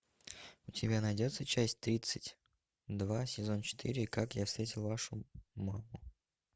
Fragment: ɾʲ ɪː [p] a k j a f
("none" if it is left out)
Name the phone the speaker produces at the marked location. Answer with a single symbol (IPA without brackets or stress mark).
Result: k